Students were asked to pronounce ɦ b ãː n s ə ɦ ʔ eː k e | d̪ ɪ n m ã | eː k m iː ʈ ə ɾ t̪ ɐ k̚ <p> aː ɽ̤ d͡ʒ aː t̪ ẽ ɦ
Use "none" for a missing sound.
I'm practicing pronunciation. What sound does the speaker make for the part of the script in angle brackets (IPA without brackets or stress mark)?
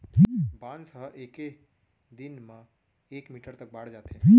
b